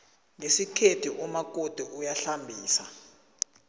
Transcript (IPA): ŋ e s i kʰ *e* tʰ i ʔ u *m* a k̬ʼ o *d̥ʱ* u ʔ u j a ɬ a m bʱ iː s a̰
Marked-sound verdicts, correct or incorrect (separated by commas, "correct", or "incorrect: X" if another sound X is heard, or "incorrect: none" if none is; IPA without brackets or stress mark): correct, correct, correct